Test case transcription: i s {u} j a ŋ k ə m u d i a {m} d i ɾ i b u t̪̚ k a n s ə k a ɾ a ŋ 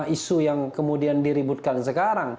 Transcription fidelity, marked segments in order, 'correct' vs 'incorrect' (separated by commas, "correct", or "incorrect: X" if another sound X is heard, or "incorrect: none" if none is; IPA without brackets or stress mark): correct, incorrect: n